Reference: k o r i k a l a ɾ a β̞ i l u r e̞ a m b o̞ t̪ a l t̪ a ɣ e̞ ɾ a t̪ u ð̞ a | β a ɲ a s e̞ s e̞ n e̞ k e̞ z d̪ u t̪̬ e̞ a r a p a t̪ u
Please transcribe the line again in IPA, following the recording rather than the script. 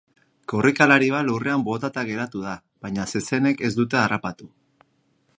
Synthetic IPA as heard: k o r i k a l a ɾ i β̞ a l u r e̞ a m b o̞ t̪ a t̪ a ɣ e̞ ɾ a t̪ u ð̞ a | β a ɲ a s e̞ s e̞ n e̞ k e̞ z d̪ u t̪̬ e̞ a r a p a t̪ u